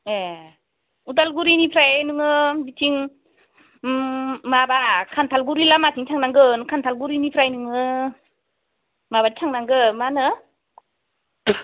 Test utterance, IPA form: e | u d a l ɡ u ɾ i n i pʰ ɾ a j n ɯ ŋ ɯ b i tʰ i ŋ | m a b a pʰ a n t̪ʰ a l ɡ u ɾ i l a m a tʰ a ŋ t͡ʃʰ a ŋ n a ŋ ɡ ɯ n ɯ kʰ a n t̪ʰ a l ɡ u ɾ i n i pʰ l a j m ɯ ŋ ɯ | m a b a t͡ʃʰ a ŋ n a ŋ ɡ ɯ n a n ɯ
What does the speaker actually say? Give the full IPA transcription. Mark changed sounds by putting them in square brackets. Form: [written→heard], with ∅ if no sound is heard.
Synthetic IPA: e | u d a l ɡ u ɾ i n i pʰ ɾ a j n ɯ ŋ ɯ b i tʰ i ŋ | m a b a [pʰ→kʰ] a n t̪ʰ a l ɡ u ɾ i l a m a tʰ [a→i] ŋ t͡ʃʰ a ŋ n a ŋ ɡ ɯ n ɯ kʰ a n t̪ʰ a l ɡ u ɾ i n i pʰ [l→ɾ] a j [m→n] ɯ ŋ ɯ | m a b a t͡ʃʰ a ŋ n a ŋ ɡ ɯ [n→m] a n ɯ